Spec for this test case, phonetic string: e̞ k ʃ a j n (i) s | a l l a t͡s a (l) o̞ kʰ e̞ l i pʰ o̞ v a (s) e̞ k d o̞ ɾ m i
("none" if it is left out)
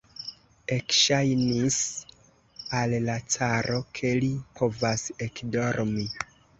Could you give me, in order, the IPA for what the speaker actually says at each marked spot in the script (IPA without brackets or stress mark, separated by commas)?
i, ɾ, s